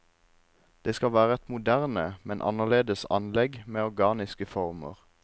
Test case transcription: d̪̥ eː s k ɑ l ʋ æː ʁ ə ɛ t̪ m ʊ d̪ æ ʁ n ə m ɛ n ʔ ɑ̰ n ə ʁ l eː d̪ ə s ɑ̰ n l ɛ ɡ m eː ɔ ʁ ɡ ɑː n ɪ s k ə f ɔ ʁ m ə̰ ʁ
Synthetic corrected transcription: d̪̥ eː s k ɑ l ʋ æː ʁ ə ɛ t̪ m ʊ d̪ æ ʁ n ə m ɛ n ʔ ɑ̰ n ə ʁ l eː d̪ ə s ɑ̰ n l ɛ ɡ m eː ɔ ʁ ɡ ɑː n ɪ s k ə f ɔ ʁ m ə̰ ʁ